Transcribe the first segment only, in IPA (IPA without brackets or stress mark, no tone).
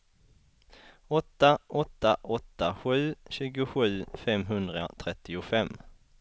ɔ